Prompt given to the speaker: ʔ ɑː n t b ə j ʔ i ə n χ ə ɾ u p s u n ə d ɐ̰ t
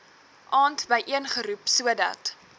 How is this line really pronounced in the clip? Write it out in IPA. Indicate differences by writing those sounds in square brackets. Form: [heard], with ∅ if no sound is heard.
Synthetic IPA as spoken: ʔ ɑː n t b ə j ʔ i ə n χ ə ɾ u p s u [∅] ə d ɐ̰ t